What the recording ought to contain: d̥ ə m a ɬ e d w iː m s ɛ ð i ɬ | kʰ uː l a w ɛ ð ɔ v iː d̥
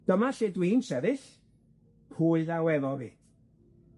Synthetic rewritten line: d̥ ə m a ɬ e d w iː n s ɛ ð ɪ ɬ | pʰ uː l a w ɛ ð ɔ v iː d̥